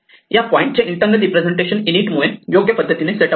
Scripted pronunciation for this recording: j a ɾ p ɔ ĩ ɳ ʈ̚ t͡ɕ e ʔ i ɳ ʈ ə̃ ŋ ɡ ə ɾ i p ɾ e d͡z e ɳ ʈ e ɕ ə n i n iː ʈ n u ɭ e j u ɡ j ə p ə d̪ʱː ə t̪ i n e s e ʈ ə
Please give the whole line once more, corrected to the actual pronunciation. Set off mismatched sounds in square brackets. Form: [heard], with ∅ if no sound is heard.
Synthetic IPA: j a [∅] p ɔ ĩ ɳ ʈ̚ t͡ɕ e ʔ i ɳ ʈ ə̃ ŋ ɡ ə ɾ i p ɾ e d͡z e ɳ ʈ e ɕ ə n i n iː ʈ [m] u ɭ e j [o] ɡ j ə p ə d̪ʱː ə t̪ i n e s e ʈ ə